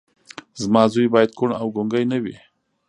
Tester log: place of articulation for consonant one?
alveolar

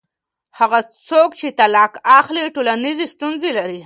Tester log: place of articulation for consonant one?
glottal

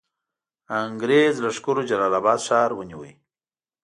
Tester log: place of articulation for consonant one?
velar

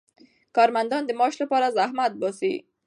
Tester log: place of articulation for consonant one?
velar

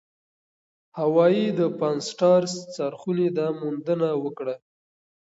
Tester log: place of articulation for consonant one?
glottal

